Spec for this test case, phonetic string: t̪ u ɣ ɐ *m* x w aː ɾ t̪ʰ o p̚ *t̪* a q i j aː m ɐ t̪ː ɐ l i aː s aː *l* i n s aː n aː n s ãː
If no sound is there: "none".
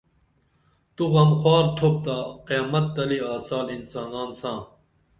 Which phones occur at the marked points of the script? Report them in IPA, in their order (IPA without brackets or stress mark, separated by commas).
m, t̪, l